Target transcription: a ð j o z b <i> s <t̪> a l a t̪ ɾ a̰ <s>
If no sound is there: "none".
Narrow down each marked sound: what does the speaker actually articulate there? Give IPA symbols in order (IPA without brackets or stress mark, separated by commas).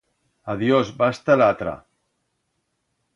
a, t̪, none